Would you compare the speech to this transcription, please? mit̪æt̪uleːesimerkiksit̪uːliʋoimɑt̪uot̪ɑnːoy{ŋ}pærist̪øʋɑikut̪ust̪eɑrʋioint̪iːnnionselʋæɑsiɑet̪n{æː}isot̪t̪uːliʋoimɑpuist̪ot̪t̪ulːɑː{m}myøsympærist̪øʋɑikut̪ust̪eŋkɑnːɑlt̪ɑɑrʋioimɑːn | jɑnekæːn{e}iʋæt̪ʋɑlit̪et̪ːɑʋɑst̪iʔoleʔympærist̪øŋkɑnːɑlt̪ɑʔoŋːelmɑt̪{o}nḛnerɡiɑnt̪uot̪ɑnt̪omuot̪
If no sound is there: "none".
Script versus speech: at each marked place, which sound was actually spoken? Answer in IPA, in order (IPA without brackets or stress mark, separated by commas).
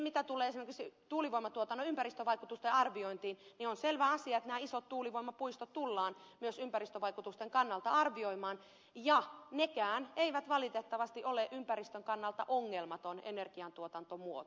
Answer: m, æː, n, e, o